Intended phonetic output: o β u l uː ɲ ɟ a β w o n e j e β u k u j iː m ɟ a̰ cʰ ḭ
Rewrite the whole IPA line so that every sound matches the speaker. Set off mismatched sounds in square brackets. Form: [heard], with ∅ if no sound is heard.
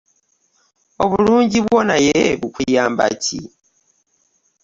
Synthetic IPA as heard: o β u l uː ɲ ɟ [i] β w o n [a] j e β u k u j [aː] m [b] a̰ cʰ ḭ